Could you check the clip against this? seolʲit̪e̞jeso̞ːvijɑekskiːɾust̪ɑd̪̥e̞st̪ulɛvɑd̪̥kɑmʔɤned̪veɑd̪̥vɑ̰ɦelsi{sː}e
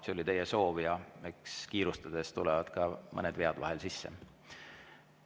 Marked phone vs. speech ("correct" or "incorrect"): correct